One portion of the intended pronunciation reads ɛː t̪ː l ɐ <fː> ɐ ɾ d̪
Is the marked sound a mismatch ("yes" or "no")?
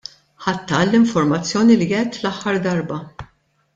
yes